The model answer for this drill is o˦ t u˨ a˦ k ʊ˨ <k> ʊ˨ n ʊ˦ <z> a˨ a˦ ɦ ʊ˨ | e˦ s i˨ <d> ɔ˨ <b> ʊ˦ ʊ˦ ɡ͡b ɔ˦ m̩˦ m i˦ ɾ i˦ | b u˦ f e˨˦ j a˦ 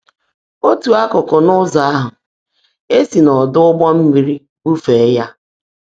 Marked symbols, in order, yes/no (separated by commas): yes, yes, no, no